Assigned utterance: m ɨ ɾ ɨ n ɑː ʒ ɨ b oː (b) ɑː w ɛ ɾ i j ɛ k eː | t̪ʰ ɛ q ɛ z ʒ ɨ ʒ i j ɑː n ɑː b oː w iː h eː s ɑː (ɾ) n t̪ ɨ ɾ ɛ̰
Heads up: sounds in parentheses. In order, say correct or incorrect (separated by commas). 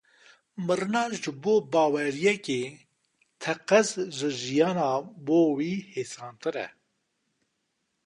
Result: correct, incorrect